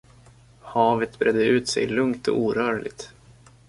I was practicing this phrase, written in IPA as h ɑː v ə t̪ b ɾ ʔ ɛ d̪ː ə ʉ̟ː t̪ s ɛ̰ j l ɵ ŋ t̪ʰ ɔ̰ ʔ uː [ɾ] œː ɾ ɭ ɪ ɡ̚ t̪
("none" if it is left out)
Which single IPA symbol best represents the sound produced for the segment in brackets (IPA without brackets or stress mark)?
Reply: ɾ